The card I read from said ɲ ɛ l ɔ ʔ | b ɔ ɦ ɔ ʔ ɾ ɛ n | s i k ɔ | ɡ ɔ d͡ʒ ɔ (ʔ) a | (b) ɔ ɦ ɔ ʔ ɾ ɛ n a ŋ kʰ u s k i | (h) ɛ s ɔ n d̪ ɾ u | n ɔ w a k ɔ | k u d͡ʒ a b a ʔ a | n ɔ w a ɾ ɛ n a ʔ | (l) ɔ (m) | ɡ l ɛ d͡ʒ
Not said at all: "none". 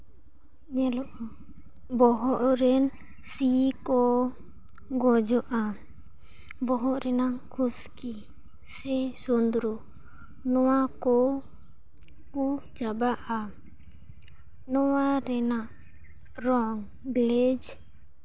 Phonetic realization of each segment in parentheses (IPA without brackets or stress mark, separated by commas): ʔ, b, s, ɾ, ŋ